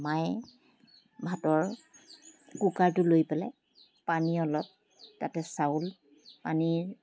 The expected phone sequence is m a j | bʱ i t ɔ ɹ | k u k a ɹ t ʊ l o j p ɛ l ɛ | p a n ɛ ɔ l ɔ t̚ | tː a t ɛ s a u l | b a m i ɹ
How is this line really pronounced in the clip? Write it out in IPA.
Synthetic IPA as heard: m a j | bʱ a t ɔ ɹ | k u k a ɹ t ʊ l o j p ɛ l ɛ | p a n i ɔ l ɔ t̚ | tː a t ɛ s a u l | p a n i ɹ